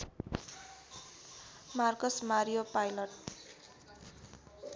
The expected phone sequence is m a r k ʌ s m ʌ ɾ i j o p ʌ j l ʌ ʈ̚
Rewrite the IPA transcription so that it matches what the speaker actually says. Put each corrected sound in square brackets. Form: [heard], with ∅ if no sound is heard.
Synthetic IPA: m a r k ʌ s m [a] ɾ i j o p [a] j l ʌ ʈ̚